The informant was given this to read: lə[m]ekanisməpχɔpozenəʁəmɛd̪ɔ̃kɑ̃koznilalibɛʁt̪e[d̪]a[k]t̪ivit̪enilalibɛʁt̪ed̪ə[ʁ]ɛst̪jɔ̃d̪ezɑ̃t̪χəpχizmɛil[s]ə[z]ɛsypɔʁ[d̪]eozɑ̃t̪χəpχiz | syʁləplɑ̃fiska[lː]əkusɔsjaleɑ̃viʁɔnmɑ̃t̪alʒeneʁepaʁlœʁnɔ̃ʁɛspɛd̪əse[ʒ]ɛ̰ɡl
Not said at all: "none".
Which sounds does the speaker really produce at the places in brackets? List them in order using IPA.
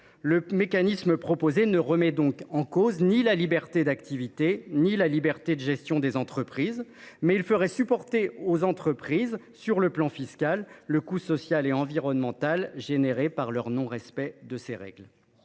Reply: m, d̪, k, ʒ, f, ʁ, t̪, lː, ʁ

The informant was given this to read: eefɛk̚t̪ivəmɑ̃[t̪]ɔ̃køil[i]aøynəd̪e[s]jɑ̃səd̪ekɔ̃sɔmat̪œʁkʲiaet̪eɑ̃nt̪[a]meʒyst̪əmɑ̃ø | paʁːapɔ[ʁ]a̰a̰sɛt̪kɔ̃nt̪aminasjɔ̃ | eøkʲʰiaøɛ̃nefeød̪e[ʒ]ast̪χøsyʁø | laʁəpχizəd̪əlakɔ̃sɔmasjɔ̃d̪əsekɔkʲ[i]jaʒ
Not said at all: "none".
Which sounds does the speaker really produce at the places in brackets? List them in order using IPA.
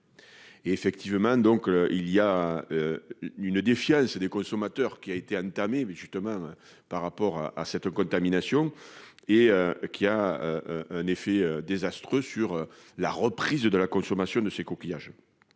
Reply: d̪, i, f, a, ʁ, z, i

